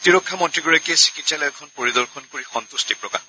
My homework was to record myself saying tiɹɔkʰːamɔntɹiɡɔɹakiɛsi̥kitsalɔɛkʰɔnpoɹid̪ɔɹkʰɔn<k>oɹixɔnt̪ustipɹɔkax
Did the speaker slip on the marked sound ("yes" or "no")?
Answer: no